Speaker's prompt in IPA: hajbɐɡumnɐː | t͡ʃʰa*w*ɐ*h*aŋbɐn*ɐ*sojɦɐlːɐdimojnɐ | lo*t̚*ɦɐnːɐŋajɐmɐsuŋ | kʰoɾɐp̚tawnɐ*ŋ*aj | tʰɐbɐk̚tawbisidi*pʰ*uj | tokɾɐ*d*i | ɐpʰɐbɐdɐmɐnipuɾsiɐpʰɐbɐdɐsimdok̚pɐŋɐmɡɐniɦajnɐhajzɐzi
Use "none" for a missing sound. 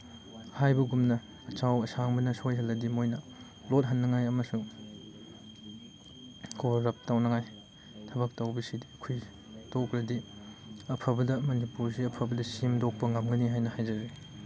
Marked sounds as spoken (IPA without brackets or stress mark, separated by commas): w, s, ɐ, t̚, ŋ, kʰ, d